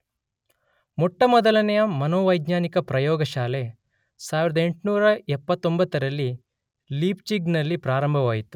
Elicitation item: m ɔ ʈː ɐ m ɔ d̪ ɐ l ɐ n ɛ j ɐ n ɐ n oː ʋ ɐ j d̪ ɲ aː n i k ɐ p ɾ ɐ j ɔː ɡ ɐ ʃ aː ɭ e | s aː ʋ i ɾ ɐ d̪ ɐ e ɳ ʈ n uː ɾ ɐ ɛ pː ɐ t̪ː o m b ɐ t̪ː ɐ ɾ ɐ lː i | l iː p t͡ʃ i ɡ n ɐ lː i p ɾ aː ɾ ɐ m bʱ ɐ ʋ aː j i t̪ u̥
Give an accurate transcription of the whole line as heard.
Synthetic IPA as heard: m ɔ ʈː ɐ m ɔ d̪ ɐ l ɐ n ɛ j ɐ m ɐ n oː ʋ ɐ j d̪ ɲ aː n i k ɐ p ɾ ɐ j ɔː ɡ ɐ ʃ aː l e | s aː ʋ i ɾ ɐ d̪ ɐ e ɳ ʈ n uː ɾ ɐ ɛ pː ɐ t̪ː o m b ɐ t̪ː ɐ ɾ ɐ lː i | l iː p t͡ʃ i ɡ n ɐ lː i p ɾ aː ɾ ɐ m bʱ ɐ ʋ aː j i t̪ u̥